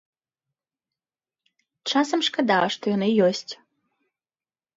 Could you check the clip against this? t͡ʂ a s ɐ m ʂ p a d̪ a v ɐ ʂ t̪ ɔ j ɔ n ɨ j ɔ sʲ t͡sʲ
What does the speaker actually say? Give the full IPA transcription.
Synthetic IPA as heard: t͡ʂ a s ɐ m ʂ k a d̪ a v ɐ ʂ t̪ ɔ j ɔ n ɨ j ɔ sʲ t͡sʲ